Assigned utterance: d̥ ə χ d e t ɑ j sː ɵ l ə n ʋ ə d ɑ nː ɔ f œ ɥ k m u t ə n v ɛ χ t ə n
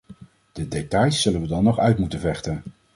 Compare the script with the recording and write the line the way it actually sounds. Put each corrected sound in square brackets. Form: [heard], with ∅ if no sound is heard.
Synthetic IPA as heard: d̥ ə [∅] d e t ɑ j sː ɵ l ə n ʋ ə d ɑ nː ɔ [χ] œ ɥ [t] m u t ə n v ɛ χ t ə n